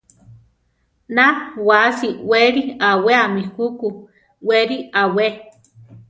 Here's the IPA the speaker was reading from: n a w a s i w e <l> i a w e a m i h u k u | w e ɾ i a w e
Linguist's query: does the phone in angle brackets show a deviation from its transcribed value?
yes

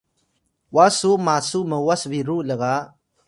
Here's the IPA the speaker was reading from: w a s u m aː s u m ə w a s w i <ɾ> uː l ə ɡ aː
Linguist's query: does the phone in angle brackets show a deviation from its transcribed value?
no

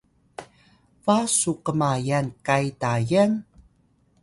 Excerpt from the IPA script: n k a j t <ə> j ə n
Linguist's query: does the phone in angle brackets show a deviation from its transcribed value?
yes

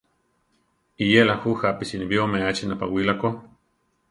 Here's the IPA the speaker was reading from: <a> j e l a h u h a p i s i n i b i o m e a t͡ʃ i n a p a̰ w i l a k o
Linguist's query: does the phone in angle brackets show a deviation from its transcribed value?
yes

